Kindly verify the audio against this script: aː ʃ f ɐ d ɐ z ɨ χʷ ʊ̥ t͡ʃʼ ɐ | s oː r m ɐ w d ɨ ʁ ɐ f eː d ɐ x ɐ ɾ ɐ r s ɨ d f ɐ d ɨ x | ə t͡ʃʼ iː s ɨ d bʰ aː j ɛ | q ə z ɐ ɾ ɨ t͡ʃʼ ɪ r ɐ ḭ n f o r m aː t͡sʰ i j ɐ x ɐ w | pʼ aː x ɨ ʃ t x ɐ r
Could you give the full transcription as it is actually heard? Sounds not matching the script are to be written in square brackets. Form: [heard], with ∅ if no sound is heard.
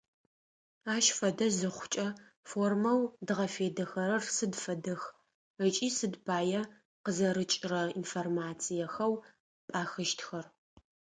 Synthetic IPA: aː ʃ f ɐ d ɐ z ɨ χʷ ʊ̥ t͡ʃʼ ɐ | [f] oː r m ɐ w d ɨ ʁ ɐ f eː d ɐ x ɐ ɾ ɐ r s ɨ d f ɐ d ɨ x | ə t͡ʃʼ iː s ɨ d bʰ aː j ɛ | q ə z ɐ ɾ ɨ t͡ʃʼ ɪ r ɐ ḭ n f o r m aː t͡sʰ i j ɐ x ɐ w | pʼ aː x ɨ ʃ t x ɐ r